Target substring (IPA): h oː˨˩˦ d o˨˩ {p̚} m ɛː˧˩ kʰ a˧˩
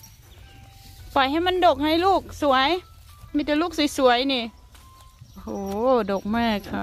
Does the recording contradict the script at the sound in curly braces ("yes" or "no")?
yes